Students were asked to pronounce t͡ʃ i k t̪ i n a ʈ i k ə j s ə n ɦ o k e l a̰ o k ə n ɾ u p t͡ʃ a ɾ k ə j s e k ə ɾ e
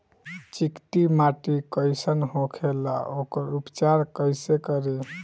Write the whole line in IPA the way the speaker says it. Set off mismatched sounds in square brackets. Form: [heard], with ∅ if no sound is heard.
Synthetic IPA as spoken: t͡ʃ i k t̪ i [m] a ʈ i k ə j s ə n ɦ o [kʰ] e l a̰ o k ə [∅] ɾ u p t͡ʃ a ɾ k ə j s e k ə ɾ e

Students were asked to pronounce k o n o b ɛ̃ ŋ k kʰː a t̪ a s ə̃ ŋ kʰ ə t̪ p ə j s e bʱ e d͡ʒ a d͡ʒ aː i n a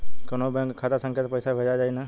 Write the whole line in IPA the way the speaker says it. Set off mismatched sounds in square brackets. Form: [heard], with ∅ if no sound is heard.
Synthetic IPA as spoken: k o n o b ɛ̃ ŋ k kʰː a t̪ a s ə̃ ŋ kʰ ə t̪ p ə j s [a] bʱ e d͡ʒ a d͡ʒ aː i n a

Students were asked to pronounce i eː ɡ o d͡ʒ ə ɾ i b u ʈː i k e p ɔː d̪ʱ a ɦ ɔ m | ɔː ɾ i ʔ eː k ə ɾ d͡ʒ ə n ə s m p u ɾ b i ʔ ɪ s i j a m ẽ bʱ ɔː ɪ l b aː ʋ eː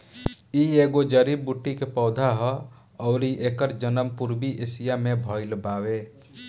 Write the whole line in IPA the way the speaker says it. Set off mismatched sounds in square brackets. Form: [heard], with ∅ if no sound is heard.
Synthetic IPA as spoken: i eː ɡ o d͡ʒ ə ɾ i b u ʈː i k e p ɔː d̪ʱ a ɦ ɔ [∅] | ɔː ɾ i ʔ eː k ə ɾ d͡ʒ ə n ə [∅] m p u ɾ b i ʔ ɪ s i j a m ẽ bʱ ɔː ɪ l b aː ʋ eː

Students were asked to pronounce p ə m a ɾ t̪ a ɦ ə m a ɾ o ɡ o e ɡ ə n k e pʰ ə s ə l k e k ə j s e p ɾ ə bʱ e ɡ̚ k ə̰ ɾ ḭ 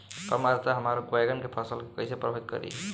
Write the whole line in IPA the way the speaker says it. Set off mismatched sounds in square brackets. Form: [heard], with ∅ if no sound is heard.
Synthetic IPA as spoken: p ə m a ɾ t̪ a ɦ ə m a ɾ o ɡ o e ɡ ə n k e pʰ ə s ə l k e k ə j s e p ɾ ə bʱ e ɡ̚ k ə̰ ɾ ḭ

